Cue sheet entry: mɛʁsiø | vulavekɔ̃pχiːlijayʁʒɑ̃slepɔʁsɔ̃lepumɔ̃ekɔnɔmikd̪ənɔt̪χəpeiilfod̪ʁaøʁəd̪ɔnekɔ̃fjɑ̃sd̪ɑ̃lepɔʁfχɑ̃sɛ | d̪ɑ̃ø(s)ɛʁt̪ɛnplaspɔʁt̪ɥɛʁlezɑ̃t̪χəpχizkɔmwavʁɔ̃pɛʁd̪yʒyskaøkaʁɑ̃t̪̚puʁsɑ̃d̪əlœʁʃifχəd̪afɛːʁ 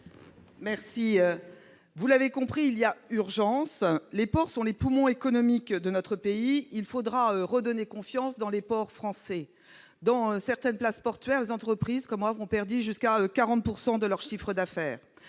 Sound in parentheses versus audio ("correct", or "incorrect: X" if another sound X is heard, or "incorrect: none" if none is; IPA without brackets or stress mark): correct